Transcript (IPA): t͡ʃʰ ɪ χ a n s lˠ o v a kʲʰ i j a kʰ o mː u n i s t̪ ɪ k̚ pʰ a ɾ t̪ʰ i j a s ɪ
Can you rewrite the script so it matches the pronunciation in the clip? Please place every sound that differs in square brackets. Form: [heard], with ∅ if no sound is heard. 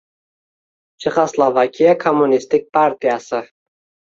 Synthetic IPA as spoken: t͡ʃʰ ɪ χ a [∅] s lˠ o v a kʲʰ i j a kʰ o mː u n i s t̪ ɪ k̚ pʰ a ɾ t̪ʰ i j a s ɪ